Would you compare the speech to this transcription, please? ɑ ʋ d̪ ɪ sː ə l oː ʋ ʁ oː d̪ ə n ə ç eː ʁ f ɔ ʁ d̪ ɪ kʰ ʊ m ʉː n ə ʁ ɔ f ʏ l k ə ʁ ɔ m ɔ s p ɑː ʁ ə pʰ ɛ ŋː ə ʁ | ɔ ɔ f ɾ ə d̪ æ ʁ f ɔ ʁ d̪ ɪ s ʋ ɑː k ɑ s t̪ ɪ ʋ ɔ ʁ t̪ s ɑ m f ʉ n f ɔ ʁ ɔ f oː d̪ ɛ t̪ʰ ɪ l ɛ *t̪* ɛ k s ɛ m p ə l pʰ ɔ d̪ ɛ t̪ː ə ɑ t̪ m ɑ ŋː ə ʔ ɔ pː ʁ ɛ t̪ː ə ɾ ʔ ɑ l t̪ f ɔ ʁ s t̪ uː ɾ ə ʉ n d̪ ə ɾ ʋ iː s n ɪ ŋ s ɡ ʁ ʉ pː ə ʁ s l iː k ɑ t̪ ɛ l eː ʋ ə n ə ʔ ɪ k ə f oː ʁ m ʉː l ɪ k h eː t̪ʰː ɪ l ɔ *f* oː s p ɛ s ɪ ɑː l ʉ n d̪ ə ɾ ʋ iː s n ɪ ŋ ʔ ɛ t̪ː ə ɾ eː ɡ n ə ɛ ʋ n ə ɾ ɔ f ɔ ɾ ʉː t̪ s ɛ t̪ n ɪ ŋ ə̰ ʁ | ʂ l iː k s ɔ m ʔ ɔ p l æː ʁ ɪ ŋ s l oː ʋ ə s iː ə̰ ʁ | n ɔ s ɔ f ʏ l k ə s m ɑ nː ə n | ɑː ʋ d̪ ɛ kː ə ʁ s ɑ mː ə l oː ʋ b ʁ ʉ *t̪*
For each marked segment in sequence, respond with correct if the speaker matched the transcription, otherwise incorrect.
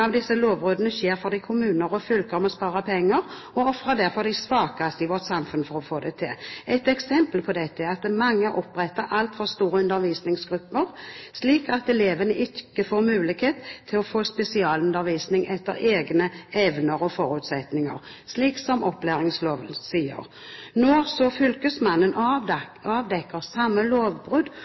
correct, correct, incorrect

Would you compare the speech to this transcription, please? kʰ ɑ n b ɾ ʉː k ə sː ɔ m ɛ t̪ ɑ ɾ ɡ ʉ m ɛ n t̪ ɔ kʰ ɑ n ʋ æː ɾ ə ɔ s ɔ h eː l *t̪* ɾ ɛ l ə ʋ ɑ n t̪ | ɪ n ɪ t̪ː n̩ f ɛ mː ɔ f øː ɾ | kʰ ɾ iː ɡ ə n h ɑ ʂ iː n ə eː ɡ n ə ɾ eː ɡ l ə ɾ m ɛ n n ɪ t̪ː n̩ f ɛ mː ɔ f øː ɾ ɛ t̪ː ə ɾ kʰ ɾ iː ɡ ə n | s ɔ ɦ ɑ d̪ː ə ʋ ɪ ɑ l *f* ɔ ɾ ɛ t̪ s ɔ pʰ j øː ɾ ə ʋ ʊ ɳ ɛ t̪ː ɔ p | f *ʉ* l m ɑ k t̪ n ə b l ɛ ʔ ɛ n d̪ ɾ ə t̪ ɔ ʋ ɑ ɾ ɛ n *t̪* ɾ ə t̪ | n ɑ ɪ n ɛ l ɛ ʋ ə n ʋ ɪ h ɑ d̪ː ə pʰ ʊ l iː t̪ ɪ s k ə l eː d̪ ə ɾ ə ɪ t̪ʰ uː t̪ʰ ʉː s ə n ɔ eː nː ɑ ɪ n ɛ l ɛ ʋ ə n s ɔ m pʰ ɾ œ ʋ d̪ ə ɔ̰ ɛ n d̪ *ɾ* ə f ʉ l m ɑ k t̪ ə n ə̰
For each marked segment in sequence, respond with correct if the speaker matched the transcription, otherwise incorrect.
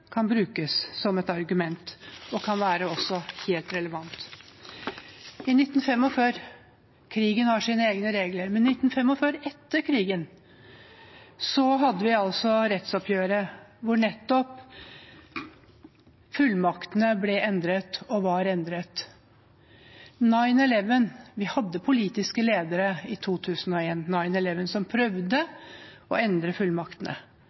correct, incorrect, correct, incorrect, correct

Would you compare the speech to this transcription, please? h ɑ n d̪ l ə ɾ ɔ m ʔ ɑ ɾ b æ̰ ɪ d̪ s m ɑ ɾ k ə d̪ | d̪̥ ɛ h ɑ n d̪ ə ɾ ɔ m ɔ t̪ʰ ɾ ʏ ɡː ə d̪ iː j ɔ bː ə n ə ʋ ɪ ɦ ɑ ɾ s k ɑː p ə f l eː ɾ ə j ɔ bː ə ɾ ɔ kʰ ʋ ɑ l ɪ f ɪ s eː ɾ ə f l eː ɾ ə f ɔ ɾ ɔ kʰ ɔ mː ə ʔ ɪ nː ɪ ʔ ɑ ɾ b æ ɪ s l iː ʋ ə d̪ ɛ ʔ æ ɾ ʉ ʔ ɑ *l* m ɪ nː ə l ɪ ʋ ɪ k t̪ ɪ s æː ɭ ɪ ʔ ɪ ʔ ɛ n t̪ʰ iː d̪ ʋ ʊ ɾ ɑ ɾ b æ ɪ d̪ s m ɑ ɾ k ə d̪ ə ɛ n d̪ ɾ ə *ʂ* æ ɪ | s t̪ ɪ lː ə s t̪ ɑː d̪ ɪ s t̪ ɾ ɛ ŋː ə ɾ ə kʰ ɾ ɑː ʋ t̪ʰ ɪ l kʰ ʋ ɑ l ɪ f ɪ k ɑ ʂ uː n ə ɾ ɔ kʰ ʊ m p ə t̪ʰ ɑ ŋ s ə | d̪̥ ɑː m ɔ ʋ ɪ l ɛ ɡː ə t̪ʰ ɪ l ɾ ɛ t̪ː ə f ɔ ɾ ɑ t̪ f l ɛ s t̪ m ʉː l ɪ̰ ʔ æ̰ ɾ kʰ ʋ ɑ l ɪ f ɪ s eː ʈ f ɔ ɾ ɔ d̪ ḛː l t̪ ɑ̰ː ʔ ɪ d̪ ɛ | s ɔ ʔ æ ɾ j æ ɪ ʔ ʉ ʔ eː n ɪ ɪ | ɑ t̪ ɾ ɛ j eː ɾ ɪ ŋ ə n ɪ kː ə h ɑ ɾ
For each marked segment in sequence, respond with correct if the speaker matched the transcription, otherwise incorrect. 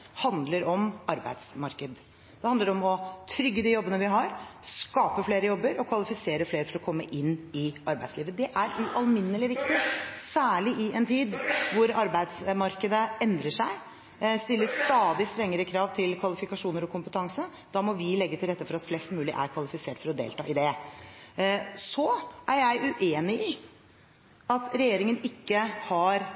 correct, correct

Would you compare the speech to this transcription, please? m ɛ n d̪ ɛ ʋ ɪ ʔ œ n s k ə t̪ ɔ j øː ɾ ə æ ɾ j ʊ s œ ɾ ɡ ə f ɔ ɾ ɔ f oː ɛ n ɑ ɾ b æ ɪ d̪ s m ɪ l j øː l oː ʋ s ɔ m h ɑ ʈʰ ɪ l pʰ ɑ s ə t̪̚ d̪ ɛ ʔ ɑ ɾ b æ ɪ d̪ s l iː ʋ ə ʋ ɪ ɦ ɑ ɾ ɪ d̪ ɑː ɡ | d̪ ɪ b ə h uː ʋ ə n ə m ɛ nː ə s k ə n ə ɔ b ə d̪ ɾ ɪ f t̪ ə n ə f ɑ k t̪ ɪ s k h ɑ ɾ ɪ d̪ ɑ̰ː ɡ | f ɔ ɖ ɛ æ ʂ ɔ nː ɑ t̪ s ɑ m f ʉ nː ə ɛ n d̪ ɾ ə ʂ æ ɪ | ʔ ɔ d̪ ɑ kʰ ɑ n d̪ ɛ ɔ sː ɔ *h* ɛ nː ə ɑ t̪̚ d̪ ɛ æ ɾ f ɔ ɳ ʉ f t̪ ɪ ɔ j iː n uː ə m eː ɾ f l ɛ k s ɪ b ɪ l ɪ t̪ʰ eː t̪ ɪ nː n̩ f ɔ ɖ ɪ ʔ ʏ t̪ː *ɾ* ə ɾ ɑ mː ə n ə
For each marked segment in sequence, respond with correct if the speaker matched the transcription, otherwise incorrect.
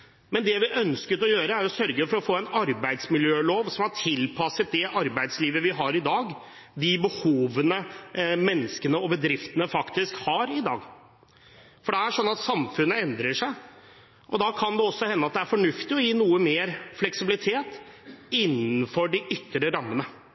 correct, correct

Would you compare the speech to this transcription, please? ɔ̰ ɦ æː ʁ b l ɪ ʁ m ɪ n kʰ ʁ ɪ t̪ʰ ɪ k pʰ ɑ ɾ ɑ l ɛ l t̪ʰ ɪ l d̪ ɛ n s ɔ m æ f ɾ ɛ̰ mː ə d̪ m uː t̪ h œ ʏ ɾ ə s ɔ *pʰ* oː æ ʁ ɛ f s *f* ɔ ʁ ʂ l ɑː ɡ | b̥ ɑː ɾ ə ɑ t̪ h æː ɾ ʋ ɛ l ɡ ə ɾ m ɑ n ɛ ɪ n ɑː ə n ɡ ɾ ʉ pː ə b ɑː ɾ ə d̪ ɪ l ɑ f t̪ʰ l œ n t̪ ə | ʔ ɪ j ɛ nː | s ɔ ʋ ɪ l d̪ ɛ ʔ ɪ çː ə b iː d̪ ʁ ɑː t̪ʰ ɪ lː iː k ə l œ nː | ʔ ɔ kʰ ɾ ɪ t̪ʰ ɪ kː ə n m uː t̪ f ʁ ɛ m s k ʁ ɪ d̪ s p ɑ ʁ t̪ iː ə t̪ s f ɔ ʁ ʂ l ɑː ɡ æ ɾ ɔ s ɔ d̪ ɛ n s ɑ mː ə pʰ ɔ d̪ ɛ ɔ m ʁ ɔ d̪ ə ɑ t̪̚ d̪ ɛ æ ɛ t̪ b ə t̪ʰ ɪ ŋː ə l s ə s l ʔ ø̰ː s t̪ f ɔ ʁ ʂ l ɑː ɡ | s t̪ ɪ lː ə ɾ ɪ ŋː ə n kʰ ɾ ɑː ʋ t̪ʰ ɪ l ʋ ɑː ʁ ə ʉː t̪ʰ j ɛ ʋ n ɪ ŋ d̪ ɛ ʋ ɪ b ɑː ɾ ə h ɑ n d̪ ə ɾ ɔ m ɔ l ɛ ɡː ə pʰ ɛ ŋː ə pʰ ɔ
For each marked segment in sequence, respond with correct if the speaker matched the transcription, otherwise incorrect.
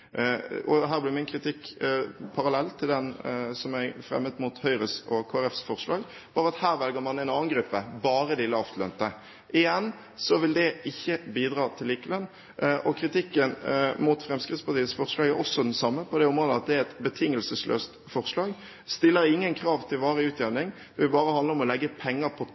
incorrect, correct

